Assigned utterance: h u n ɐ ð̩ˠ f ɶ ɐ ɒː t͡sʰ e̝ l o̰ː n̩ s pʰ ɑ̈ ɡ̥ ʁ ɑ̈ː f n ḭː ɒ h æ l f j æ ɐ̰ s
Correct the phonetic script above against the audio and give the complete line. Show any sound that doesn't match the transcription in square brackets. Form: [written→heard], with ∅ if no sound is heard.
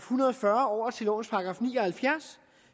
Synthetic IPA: h u n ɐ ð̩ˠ f ɶ ɐ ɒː t͡sʰ e̝ l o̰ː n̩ s pʰ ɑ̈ ɡ̥ ʁ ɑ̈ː f n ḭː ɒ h æ l f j æ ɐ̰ s